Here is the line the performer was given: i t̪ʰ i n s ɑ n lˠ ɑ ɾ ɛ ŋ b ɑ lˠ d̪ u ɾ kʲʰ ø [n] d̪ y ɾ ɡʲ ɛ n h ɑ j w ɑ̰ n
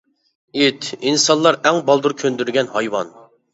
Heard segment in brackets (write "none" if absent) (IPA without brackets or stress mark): n